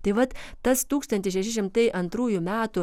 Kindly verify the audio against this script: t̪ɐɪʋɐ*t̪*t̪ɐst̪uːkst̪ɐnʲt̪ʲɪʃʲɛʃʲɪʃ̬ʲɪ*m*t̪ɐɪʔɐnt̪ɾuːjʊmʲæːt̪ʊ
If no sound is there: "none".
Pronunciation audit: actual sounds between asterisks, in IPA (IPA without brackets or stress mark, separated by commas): t̪, m